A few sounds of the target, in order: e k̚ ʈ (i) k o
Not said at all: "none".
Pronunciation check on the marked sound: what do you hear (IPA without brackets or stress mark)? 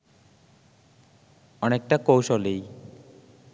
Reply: a